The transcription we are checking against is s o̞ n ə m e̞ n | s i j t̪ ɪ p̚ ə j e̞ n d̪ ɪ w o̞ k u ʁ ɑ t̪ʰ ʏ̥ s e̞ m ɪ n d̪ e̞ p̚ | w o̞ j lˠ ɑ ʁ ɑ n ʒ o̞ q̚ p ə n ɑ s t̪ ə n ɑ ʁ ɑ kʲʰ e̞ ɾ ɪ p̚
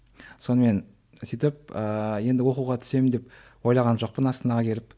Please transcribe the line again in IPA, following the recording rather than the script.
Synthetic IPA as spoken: s o̞ n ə m e̞ n | s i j t̪ ɪ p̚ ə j e̞ n d̪ ɪ w o̞ q u ʁ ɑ t̪ʰ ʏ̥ s e̞ m ɪ n d̪ e̞ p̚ | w o̞ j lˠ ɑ ʁ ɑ n ʒ o̞ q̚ p ə n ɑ s t̪ ə n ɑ ʁ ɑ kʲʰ e̞ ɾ ɪ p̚